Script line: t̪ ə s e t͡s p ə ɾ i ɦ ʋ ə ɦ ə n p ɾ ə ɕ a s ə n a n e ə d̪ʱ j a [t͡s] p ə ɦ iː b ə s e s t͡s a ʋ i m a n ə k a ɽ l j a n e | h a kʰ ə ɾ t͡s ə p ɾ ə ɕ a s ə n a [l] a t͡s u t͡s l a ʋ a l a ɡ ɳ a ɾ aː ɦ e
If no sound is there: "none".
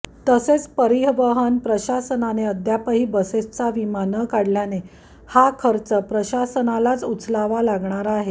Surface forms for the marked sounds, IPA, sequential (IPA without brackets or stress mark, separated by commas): none, l